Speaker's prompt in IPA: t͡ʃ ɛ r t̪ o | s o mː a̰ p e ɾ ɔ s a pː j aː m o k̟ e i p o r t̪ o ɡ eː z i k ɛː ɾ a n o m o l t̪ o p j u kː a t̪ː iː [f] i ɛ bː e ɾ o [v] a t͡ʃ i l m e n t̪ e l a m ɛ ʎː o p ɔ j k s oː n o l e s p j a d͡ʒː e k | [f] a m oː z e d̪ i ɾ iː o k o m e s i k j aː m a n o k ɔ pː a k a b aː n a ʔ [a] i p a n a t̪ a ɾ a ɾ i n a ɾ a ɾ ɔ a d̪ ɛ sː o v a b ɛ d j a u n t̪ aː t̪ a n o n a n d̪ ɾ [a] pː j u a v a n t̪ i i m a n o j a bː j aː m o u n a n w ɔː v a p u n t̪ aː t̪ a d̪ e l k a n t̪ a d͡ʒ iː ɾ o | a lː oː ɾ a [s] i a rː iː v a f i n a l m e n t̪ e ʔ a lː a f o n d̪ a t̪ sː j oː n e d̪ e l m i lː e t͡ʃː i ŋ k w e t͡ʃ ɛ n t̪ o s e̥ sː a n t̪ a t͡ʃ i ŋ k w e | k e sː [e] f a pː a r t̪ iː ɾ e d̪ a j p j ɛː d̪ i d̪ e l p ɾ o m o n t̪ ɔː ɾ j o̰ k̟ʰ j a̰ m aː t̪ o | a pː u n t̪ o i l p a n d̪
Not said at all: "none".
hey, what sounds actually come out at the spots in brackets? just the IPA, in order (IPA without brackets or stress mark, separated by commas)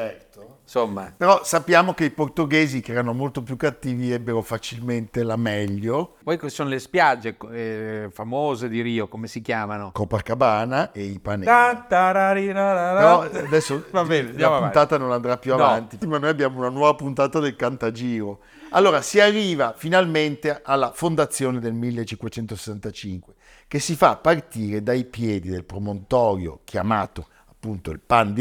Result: v, f, f, e, a, s, i